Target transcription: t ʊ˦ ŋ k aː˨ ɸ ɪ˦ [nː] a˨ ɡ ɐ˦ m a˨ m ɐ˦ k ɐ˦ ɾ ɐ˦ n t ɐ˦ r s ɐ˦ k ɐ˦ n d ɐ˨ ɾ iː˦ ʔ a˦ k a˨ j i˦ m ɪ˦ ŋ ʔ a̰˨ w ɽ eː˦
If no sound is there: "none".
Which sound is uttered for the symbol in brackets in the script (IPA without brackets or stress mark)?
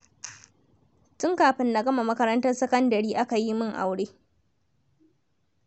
nː